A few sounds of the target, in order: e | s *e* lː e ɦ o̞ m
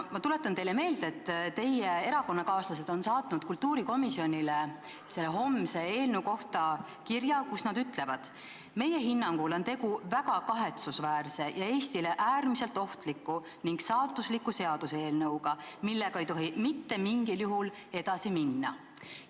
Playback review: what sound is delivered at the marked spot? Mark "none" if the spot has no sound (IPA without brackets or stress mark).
e